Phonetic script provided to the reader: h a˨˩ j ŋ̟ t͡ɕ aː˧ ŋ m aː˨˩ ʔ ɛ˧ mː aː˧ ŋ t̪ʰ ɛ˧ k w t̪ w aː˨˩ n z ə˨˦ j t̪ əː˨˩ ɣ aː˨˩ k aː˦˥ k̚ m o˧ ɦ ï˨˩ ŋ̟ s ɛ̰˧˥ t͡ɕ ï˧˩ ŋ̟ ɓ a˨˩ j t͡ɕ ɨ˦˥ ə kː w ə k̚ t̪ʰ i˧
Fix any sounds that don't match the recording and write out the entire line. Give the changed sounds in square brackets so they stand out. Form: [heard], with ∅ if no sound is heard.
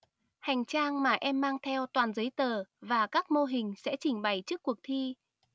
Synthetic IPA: h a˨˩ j ŋ̟ t͡ɕ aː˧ ŋ m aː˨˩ ʔ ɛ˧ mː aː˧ ŋ t̪ʰ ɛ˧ [∅] w t̪ w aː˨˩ n z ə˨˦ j t̪ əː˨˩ [v] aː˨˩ k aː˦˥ k̚ m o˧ ɦ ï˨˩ ŋ̟ s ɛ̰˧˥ t͡ɕ ï˧˩ ŋ̟ ɓ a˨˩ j t͡ɕ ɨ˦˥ ə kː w ə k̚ t̪ʰ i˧